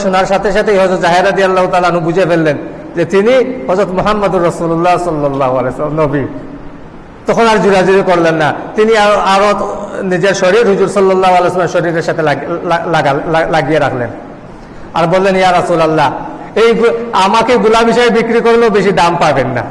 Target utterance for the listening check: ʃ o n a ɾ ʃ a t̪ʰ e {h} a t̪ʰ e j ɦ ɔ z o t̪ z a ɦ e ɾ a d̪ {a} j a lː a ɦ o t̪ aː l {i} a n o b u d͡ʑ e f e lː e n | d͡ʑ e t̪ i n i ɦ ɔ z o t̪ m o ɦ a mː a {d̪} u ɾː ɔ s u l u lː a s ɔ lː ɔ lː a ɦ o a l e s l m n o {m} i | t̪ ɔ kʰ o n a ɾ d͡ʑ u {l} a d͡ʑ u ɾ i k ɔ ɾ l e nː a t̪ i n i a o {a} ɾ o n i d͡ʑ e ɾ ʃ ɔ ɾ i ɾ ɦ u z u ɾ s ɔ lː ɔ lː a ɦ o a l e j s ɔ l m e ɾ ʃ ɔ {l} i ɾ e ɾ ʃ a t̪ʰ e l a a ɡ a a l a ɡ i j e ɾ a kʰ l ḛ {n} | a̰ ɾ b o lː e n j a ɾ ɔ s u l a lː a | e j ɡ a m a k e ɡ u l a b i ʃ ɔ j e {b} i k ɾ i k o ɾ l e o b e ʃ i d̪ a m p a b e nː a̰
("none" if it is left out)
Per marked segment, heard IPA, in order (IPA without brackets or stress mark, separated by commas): ʃ, i, a, d̪, b, ɾ, a, ɾ, n, b